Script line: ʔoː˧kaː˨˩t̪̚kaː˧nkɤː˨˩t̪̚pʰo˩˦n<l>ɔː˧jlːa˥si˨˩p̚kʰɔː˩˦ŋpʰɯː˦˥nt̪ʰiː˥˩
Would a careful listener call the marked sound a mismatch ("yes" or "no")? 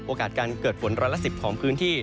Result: yes